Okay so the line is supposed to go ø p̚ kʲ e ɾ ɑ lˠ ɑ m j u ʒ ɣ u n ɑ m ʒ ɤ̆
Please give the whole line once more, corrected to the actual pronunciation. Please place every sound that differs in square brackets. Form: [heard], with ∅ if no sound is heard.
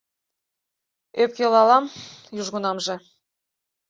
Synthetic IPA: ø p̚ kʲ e [l] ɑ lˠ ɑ m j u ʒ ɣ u n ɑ m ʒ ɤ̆